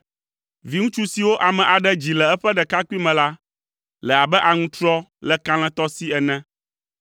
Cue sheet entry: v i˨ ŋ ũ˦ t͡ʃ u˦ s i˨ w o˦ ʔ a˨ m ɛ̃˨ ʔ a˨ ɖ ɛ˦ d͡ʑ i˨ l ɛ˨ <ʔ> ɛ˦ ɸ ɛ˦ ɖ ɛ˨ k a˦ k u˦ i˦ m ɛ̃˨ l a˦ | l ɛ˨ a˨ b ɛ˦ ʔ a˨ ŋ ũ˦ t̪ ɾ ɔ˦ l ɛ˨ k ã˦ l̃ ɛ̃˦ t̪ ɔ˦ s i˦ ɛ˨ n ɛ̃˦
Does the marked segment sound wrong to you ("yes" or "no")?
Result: yes